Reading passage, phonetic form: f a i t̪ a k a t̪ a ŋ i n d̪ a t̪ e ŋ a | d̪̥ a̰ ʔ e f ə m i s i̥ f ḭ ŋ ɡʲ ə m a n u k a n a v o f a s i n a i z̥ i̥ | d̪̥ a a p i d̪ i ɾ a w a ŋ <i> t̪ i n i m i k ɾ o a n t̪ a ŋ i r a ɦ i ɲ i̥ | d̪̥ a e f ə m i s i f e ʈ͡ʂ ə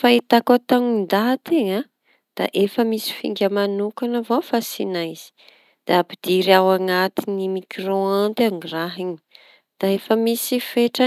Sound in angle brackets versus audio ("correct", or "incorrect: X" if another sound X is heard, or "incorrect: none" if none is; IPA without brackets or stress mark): incorrect: a